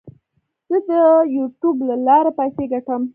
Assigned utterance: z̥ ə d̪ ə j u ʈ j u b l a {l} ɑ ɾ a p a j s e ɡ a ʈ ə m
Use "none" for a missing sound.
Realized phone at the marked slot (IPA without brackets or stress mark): l